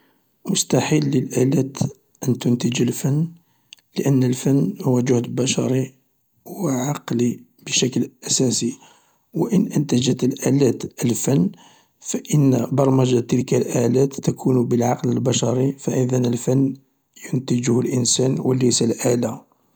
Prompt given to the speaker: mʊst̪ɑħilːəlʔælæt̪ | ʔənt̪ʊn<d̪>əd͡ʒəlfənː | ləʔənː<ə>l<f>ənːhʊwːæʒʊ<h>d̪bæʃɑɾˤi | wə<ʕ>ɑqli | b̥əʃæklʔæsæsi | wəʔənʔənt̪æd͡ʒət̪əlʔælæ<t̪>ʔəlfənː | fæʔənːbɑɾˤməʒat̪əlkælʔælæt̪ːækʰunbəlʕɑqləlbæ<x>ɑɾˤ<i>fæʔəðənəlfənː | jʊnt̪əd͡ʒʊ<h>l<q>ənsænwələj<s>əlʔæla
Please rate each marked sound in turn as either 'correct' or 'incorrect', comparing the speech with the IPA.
incorrect: t̪, correct, correct, correct, correct, correct, incorrect: ʃ, correct, correct, incorrect: ʔ, correct

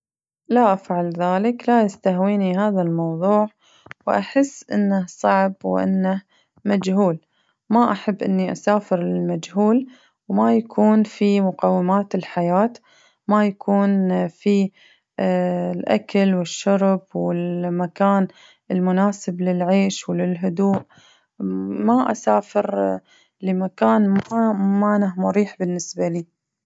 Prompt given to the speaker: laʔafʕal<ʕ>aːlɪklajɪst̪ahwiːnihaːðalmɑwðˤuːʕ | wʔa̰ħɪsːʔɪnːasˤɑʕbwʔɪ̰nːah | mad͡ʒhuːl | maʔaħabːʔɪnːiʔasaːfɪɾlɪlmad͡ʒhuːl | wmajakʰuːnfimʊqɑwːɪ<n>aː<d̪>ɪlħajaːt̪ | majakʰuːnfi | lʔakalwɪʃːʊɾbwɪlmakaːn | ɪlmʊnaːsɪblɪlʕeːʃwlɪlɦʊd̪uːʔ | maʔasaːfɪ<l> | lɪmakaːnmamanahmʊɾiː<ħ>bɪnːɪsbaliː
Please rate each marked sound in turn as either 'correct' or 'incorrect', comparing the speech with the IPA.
incorrect: ð, incorrect: m, incorrect: t̪, incorrect: ɾ, correct

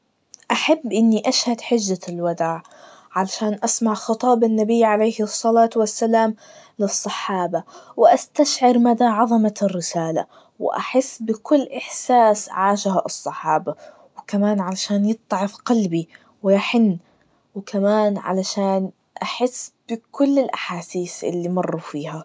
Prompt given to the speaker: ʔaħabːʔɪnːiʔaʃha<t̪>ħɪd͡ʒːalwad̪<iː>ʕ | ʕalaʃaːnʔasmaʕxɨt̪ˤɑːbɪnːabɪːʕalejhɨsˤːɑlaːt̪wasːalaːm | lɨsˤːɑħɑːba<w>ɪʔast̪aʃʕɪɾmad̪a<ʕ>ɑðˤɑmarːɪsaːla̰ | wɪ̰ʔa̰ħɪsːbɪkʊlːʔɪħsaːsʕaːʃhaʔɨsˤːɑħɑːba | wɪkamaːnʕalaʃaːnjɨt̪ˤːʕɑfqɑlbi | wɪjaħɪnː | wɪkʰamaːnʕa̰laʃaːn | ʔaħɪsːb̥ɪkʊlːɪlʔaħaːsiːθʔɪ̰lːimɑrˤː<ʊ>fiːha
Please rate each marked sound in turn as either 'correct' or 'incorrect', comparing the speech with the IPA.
incorrect: d̪, incorrect: aː, correct, correct, incorrect: u

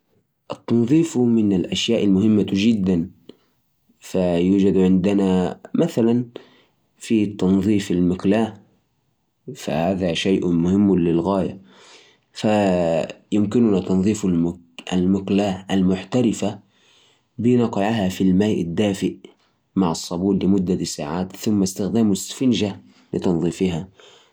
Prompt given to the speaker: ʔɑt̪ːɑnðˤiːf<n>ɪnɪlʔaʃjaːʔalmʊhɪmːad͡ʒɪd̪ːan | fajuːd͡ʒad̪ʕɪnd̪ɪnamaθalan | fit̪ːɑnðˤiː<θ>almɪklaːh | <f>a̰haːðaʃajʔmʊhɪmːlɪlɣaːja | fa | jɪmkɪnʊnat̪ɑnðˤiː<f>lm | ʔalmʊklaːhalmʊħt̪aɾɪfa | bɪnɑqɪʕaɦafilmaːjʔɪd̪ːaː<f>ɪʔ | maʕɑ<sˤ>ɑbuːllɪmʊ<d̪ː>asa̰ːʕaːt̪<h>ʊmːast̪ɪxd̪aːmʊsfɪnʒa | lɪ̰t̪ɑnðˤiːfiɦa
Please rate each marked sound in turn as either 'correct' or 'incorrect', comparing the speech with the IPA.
incorrect: m, incorrect: f, correct, correct, correct, incorrect: sˤː, correct, incorrect: θ

